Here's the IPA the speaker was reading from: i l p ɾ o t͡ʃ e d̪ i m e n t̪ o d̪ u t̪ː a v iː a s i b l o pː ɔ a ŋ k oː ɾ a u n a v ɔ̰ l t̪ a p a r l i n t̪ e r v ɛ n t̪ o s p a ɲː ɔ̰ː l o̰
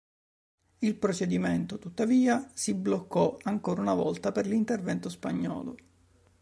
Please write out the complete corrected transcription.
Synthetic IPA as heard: i l p ɾ o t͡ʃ e d̪ i m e n t̪ o t̪ u t̪ː a v iː a s i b l o kː ɔ a ŋ k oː ɾ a u n a v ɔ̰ l t̪ a p e r l i n t̪ e r v ɛ n t̪ o s p a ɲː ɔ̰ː l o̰